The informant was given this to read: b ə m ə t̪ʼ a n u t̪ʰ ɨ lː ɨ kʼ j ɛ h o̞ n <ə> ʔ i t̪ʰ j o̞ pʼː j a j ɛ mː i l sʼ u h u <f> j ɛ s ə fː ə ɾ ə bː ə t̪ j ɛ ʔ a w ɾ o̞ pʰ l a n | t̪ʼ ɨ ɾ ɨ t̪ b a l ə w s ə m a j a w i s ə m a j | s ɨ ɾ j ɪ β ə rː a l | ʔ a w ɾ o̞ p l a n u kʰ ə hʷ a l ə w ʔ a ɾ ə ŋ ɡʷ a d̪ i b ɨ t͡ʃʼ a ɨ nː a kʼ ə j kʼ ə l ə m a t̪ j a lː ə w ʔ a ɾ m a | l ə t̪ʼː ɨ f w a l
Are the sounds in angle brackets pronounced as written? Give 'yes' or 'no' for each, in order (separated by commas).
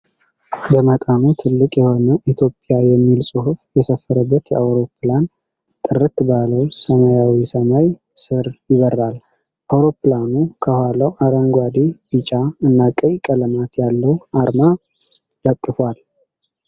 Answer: yes, yes